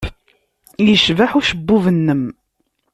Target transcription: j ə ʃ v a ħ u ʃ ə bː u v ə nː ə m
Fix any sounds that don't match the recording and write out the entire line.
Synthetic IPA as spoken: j ə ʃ v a ħ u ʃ ə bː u v ə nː ə m